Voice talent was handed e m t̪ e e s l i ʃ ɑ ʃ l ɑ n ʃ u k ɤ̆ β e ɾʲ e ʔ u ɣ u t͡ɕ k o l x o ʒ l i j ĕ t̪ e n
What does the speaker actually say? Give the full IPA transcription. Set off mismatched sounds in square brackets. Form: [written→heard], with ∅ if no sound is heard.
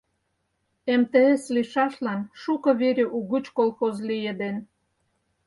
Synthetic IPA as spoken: e m t̪ e e s l i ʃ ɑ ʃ l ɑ n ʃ u k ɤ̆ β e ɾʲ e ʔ u ɣ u t͡ɕ k o l x o [ʒ→z] l i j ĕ [t̪→d̪] e n